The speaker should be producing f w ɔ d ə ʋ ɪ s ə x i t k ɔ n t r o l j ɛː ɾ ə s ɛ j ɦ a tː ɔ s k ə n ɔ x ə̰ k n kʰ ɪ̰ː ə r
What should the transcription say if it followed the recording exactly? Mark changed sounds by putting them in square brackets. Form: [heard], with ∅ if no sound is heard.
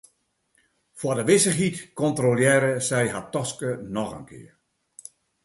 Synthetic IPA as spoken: f w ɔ d ə ʋ ɪ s ə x i t k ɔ n t r o l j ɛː ɾ ə s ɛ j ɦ a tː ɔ s k ə n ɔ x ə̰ [∅] n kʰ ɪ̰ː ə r